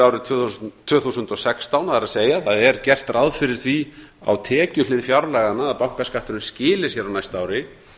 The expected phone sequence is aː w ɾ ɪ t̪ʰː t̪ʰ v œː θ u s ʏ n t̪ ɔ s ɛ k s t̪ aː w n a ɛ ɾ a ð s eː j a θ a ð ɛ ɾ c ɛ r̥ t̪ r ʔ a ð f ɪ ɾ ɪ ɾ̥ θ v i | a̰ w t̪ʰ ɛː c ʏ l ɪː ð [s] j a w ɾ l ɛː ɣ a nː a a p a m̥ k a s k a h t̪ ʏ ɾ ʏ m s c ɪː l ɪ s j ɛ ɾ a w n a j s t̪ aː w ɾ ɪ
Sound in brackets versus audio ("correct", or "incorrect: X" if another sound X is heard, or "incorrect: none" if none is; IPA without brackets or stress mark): incorrect: f